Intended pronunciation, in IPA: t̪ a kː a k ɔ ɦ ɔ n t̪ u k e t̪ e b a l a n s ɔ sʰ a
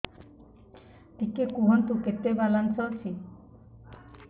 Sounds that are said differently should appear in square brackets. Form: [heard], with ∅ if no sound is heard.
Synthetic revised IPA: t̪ [i] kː [e] k [u] ɦ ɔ n t̪ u k e t̪ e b a l a n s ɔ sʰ [i]